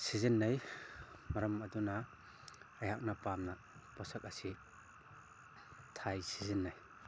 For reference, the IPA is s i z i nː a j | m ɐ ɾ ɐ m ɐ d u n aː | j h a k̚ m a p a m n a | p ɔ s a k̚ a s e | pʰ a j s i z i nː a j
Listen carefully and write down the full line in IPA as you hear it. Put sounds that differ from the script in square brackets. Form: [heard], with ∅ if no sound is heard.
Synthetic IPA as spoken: s i z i nː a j | m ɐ ɾ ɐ m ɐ d u n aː | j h a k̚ [n] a p a m n a | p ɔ s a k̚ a s [i] | [tʰ] a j s i z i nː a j

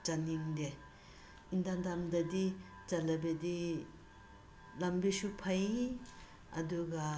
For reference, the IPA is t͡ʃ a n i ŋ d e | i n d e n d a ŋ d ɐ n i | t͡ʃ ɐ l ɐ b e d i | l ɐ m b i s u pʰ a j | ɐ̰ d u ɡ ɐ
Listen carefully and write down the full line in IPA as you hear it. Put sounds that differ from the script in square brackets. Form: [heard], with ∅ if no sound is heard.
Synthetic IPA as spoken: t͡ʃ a n i ŋ d e | i n d [a] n d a [m] d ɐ [d] i | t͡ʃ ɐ l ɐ b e d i | l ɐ m b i s u pʰ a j | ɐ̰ d u ɡ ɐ

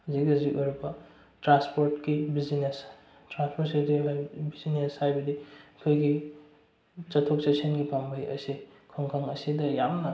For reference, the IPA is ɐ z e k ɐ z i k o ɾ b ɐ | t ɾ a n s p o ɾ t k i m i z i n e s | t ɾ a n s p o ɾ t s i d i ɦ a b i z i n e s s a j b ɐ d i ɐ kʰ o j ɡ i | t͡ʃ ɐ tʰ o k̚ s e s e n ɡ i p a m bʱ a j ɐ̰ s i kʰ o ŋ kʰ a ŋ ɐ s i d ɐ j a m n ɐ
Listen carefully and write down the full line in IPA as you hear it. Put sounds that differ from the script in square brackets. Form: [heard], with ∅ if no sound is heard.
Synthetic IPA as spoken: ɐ z [i] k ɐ z i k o ɾ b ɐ | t ɾ a n s p o ɾ t k i [b] i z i n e s | t ɾ a n s p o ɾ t s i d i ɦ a b i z i n e s [h] a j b ɐ d i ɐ kʰ o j ɡ i | t͡ʃ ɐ tʰ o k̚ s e s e n ɡ i p a m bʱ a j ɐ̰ s i kʰ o ŋ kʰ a ŋ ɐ s i d ɐ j a m n ɐ

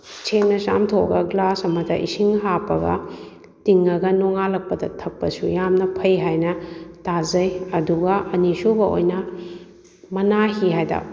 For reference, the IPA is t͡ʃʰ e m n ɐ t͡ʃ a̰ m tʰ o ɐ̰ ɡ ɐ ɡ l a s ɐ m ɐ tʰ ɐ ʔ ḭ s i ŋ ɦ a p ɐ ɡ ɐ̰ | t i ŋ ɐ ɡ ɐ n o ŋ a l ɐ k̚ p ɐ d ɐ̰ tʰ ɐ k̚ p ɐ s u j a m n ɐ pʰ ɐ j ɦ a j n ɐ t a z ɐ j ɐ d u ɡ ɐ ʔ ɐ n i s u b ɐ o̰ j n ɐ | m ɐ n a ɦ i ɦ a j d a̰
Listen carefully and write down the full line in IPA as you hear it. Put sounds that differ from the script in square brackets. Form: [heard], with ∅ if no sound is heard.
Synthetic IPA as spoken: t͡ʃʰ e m n ɐ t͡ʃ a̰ m tʰ o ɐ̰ ɡ ɐ ɡ l a s ɐ m ɐ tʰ ɐ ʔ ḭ s i ŋ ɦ a p ɐ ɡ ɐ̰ | t i ŋ ɐ ɡ ɐ n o ŋ a l ɐ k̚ p ɐ d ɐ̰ tʰ ɐ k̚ p ɐ s u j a m n ɐ pʰ ɐ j ɦ a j n ɐ t a z ɐ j ɐ d u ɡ ɐ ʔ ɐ n i s u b ɐ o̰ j n ɐ | m ɐ n a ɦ i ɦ a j d a̰

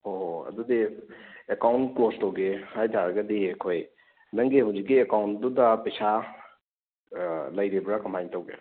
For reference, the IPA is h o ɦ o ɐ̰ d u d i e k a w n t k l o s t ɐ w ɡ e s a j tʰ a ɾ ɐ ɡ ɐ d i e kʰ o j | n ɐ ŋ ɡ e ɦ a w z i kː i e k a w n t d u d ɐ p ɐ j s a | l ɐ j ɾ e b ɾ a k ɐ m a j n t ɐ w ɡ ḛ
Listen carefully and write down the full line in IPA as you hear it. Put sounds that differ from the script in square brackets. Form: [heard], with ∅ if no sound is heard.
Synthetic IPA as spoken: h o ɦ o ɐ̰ d u d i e k a w n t k l o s t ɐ w ɡ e [h] a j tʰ a ɾ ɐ ɡ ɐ d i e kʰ o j | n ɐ ŋ ɡ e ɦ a w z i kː i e k a w n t d u d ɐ p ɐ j s a | l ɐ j ɾ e b ɾ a k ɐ m a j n t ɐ w ɡ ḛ

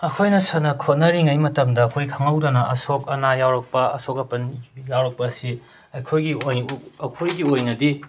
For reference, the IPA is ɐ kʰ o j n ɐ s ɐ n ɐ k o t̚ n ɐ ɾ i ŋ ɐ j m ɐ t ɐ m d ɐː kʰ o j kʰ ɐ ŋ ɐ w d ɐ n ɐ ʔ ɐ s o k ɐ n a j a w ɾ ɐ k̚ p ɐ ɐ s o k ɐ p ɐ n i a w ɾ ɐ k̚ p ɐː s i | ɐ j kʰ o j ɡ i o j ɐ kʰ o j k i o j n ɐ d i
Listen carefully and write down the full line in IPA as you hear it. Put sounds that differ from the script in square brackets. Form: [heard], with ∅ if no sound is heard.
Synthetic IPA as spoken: ɐ kʰ o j n ɐ s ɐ n ɐ [kʰ] o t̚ n ɐ ɾ i ŋ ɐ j m ɐ t ɐ m d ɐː kʰ o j kʰ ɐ ŋ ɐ w d ɐ n ɐ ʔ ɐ s o k ɐ n a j a w ɾ ɐ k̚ p ɐ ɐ s o k ɐ p ɐ n [j] a w ɾ ɐ k̚ p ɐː s i | ɐ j kʰ o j ɡ i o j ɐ kʰ o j [ɡ] i o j n ɐ d i

